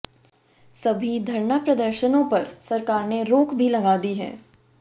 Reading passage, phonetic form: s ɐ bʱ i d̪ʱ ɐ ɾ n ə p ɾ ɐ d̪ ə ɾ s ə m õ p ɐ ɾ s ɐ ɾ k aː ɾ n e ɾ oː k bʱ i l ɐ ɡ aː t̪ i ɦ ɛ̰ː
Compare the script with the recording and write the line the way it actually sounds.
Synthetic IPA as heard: s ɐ bʱ i d̪ʱ ɐ ɾ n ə p ɾ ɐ d̪ ə ɾ ʃ ə n õ p ɐ ɾ s ɐ ɾ k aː ɾ n e ɾ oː k bʱ i l ɐ ɡ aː d̪ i ɦ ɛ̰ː